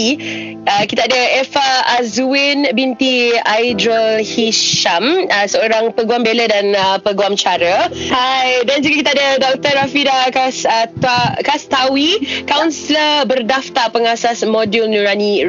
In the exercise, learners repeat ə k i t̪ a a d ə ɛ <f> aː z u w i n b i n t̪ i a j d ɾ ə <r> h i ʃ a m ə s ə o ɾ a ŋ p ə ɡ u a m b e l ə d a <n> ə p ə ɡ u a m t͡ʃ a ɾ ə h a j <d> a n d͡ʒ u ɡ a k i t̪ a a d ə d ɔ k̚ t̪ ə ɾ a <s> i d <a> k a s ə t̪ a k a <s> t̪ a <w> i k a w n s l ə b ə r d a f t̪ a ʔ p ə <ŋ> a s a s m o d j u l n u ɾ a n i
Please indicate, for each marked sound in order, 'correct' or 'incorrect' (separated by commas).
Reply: correct, incorrect, correct, correct, incorrect, correct, correct, correct, correct